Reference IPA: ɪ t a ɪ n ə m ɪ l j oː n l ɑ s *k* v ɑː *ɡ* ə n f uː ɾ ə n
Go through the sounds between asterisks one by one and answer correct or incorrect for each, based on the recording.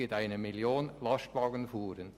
incorrect: t, correct

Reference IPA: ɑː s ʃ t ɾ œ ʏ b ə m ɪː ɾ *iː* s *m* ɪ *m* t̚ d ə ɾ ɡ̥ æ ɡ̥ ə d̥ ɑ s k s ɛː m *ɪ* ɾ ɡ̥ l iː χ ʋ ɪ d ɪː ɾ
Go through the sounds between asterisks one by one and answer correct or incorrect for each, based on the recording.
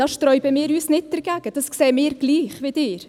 incorrect: yː, incorrect: n, incorrect: none, incorrect: ɪː

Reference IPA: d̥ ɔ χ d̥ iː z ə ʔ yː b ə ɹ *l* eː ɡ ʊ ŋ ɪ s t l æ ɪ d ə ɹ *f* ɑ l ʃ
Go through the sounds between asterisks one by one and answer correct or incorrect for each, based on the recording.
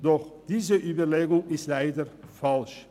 correct, correct

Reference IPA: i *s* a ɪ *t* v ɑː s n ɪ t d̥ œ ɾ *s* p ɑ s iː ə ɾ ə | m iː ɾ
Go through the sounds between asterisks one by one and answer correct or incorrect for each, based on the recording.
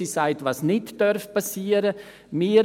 correct, correct, incorrect: f

